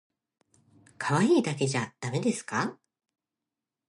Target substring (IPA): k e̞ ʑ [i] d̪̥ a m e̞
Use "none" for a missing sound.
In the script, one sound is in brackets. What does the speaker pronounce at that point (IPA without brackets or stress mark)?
a